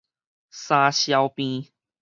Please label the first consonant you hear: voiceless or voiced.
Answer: voiceless